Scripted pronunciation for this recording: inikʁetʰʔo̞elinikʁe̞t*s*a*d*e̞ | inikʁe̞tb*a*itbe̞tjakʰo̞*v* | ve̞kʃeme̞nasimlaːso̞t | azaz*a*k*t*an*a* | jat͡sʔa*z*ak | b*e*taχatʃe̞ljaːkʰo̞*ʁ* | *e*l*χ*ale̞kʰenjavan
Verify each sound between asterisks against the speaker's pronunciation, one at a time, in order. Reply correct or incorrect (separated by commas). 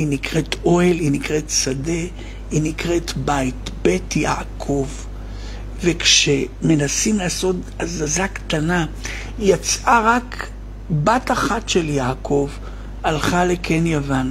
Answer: correct, correct, correct, correct, correct, correct, correct, incorrect, incorrect, incorrect, incorrect, correct